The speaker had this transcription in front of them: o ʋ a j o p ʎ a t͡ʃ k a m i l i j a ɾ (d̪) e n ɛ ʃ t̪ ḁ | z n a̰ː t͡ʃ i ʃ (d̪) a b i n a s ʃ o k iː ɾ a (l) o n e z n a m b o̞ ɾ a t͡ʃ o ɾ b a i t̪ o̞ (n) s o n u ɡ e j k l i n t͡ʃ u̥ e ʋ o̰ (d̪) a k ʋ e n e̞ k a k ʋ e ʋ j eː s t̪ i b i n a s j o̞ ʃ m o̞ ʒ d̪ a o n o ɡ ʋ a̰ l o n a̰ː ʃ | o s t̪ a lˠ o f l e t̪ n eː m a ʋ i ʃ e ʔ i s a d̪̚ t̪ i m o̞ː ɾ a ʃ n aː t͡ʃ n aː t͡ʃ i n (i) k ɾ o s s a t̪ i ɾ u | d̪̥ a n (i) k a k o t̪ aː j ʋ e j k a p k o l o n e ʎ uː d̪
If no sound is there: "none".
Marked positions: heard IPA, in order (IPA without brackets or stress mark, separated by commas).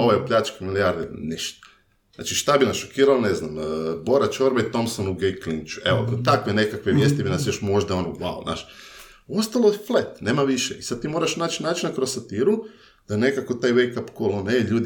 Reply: d̪, t̪, l, m, t̪, a, e